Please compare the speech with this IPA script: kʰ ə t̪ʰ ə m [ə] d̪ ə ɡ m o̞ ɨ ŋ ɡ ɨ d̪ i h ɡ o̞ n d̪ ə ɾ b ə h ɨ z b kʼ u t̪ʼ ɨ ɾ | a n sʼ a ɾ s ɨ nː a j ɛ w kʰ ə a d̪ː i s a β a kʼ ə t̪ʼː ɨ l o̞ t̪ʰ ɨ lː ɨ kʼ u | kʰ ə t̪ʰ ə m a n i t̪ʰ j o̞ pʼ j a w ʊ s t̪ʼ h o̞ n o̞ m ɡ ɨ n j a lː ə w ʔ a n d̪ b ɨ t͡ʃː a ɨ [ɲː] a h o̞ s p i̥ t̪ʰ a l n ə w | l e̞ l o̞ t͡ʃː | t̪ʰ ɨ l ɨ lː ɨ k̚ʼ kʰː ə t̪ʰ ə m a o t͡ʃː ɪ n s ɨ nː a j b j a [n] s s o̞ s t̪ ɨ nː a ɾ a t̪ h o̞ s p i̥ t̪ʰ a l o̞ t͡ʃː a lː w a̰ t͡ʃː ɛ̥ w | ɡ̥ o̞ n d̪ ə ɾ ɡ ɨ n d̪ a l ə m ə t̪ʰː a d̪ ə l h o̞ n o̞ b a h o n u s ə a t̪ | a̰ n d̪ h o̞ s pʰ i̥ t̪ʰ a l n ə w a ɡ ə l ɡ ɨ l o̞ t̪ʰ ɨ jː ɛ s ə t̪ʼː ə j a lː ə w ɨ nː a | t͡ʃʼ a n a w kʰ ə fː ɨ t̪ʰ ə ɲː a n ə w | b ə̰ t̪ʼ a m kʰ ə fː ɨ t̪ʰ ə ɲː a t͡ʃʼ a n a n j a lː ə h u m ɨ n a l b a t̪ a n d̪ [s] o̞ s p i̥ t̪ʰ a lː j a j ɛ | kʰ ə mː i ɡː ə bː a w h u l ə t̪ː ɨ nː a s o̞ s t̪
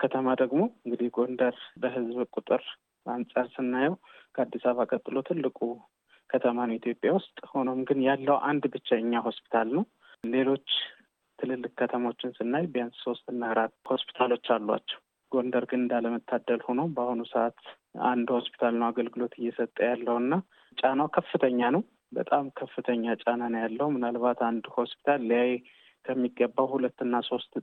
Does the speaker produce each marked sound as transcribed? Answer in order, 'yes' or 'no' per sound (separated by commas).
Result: no, yes, yes, no